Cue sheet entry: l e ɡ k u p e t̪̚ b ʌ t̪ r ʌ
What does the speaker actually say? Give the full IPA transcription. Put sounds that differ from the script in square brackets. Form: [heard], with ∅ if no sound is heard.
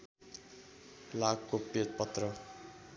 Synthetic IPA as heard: l [a] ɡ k [o] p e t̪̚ [p] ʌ t̪ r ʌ